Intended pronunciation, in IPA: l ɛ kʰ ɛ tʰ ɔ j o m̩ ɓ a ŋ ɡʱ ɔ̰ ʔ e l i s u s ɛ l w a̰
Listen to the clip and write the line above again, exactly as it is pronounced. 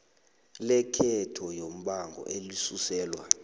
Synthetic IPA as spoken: l ɛ kʰ ɛ tʰ ɔ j o m̩ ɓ a ŋ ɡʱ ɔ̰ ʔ e l i s u s ɛː l w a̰